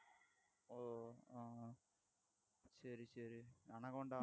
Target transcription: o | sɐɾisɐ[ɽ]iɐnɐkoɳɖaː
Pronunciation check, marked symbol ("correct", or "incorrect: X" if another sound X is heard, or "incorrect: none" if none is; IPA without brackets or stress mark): incorrect: ɾ